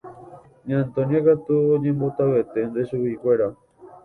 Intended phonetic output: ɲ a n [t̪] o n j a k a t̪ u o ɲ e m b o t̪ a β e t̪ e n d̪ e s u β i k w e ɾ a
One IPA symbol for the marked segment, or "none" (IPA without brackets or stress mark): t̪